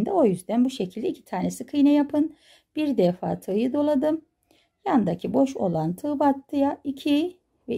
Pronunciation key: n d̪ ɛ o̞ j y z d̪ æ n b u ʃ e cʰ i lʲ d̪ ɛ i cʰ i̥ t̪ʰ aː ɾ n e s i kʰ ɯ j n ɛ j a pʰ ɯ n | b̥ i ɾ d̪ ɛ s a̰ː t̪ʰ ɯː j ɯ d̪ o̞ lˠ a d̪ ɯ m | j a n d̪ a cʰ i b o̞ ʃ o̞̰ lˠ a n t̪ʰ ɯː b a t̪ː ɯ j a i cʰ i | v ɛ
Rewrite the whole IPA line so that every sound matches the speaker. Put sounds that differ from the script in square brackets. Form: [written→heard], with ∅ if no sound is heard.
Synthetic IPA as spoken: n d̪ ɛ o̞ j y z d̪ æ n b u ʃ e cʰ i lʲ d̪ ɛ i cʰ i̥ t̪ʰ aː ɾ n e s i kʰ ɯ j n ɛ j a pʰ ɯ n | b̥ i ɾ d̪ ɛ [s→f] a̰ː t̪ʰ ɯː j ɯ d̪ o̞ lˠ a d̪ ɯ m | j a n d̪ a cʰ i b o̞ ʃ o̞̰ lˠ a n t̪ʰ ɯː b a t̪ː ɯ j a i cʰ i | v ɛ